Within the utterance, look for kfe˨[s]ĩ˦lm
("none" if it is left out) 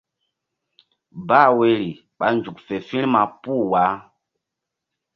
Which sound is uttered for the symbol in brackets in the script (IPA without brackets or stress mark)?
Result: f